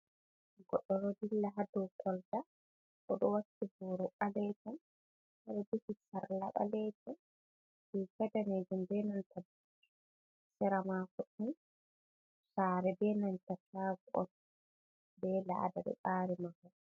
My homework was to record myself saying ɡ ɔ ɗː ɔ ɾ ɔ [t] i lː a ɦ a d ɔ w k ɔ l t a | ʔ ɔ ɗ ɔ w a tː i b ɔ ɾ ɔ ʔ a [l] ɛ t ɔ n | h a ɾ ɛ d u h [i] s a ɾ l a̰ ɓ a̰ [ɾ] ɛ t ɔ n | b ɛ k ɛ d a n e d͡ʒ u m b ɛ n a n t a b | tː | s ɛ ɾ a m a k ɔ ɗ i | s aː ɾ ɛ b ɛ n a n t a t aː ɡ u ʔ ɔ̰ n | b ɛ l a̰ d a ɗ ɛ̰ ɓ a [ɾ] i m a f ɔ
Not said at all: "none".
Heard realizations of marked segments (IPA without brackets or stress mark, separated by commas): d, l, i, l, ɾ